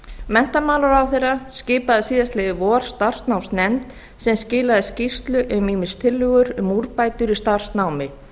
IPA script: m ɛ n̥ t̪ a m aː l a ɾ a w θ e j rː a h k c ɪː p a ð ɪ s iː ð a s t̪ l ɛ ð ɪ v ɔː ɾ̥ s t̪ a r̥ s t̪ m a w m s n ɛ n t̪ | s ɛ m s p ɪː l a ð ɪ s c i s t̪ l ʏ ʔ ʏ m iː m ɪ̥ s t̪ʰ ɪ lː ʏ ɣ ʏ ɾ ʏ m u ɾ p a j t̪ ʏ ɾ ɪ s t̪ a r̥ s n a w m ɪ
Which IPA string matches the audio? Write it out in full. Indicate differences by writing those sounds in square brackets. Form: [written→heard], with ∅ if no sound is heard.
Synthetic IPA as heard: m ɛ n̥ t̪ a m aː l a ɾ a w θ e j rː a [h→s] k c ɪː p a ð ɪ s iː ð a s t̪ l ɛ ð ɪ v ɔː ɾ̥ s t̪ a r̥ s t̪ [m→n] a w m s n ɛ n t̪ | s ɛ m s [p→c] ɪː l a ð ɪ s c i s t̪ l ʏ ʔ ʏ m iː m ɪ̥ s t̪ʰ ɪ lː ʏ ɣ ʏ ɾ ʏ m u ɾ p a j t̪ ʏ ɾ [ɪ→i] s t̪ a r̥ s n a w m ɪ